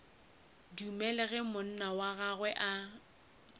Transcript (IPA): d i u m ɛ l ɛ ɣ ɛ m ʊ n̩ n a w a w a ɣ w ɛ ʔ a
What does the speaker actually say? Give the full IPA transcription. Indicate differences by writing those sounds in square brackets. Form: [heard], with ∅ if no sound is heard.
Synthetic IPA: d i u m ɛ l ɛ ɣ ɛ m ʊ n̩ n a w a [ɣ] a ɣ w ɛ ʔ a